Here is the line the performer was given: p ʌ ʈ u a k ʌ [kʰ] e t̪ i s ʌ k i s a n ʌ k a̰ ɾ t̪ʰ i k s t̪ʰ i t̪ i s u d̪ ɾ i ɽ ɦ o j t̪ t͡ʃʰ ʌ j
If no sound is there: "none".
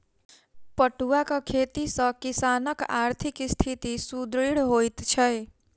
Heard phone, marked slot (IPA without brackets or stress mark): kʰ